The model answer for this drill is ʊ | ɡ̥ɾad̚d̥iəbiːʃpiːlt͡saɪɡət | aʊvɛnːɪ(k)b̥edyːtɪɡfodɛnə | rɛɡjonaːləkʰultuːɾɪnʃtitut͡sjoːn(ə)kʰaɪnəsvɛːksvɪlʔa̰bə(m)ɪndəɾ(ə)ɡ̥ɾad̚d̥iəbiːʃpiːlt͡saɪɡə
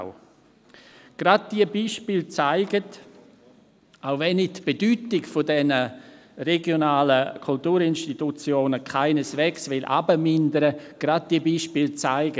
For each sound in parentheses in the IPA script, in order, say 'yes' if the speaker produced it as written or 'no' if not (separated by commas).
no, yes, yes, yes